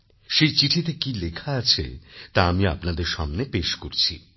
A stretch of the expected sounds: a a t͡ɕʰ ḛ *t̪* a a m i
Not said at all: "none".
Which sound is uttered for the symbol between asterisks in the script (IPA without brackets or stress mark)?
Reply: t̪